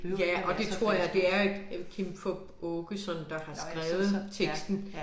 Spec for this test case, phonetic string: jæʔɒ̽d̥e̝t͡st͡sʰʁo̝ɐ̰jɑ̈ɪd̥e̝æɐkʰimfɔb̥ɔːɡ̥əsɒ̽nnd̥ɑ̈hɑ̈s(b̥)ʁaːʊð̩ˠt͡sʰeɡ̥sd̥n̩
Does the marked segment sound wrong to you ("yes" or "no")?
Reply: yes